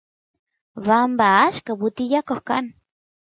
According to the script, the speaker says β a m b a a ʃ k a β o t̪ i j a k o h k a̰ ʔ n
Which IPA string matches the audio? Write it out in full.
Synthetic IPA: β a m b a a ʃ k a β u t̪ i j a k o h k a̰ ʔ n